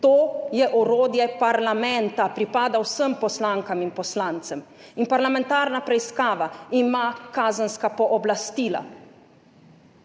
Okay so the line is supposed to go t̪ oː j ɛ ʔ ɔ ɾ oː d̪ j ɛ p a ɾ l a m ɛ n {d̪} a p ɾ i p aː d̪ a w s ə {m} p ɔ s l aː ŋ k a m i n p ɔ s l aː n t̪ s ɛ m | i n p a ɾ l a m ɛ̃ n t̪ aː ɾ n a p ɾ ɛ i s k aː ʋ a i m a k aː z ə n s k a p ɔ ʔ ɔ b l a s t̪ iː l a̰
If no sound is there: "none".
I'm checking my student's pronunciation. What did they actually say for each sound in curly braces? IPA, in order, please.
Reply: t̪, m

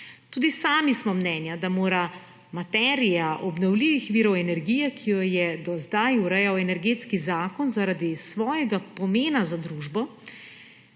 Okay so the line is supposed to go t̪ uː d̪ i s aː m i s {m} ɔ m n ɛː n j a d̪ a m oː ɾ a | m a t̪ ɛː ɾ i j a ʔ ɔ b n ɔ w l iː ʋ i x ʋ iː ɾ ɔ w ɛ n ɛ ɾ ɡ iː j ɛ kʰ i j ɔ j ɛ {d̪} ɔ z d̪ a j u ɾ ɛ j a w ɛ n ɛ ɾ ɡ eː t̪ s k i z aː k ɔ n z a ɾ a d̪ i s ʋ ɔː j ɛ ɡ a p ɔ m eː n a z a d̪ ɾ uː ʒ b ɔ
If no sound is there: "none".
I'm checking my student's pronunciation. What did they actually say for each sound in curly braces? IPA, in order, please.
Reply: m, d̪

